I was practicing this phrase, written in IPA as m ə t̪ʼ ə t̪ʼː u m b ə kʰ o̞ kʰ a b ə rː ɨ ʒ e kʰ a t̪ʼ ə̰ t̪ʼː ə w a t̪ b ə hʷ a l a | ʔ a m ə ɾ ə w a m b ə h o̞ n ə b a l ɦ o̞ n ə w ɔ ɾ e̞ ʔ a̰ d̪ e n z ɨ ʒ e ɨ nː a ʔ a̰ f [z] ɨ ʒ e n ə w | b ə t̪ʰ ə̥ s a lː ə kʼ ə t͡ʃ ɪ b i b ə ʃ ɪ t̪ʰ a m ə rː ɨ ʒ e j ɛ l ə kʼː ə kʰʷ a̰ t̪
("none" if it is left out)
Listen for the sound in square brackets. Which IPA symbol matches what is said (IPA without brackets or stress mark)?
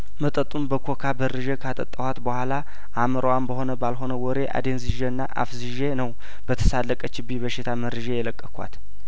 z